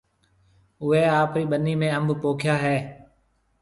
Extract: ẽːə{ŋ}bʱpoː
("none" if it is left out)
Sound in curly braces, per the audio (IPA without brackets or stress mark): m